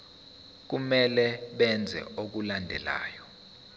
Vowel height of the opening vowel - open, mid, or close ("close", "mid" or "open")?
close